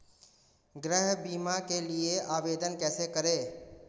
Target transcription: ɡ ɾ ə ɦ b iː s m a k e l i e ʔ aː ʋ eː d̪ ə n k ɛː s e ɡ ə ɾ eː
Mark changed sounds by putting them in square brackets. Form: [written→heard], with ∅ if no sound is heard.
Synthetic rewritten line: ɡ ɾ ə ɦ b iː [s→∅] m a k e l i e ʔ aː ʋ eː d̪ ə n k ɛː s e [ɡ→k] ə ɾ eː